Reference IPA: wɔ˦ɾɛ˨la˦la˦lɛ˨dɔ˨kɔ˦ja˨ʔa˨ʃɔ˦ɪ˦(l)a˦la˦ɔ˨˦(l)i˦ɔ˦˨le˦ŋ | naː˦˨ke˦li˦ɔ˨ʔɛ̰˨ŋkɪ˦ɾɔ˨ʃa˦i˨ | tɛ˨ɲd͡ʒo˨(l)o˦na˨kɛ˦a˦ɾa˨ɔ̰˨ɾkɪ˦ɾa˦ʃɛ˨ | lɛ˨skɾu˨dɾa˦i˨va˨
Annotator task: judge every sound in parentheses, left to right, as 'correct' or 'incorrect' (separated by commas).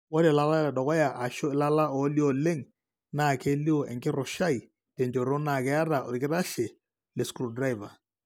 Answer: correct, correct, incorrect